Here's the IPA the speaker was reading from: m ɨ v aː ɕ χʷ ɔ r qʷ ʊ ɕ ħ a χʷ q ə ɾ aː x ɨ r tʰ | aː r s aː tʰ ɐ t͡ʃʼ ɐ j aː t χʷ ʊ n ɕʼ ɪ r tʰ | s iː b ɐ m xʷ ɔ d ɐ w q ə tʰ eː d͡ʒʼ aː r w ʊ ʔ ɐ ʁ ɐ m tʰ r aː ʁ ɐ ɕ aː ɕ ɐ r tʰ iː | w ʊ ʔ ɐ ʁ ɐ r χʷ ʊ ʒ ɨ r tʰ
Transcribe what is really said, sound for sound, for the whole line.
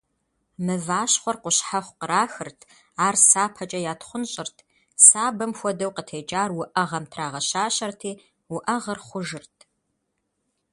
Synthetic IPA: m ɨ v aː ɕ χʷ ɔ r qʷ ʊ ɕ ħ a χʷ q ə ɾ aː x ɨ r tʰ | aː r s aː pʰ ɐ t͡ʃʼ ɐ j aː t χʷ ʊ n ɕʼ ɪ r tʰ | s aː b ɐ m xʷ ɔ d ɐ w q ə tʰ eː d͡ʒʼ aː r w ʊ ʔ ɐ ʁ ɐ m tʰ r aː ʁ ɐ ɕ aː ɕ ɐ r tʰ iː | w ʊ ʔ ɐ ʁ ɐ r χʷ ʊ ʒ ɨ r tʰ